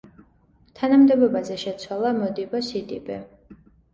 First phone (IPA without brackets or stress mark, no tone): t̪ʰ